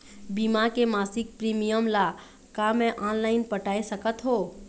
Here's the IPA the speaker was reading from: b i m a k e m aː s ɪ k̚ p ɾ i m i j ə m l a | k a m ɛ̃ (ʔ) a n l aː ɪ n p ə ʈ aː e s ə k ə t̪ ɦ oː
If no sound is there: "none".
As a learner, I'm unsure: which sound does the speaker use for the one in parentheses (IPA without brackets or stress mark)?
ʔ